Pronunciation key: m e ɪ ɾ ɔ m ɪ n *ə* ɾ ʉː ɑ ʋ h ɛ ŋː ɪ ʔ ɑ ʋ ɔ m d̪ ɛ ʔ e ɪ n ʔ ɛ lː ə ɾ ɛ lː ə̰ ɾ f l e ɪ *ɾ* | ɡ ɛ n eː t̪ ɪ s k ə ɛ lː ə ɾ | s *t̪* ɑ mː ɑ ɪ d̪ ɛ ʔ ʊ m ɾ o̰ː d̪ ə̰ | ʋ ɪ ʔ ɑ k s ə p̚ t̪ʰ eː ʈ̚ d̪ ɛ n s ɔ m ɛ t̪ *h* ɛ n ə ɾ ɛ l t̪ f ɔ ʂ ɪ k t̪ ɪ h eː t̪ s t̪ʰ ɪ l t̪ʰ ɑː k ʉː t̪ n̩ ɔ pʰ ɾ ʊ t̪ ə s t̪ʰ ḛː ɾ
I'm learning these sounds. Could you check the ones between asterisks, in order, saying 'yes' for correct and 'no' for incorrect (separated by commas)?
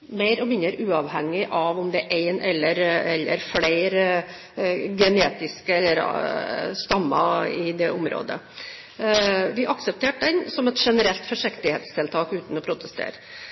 yes, yes, yes, no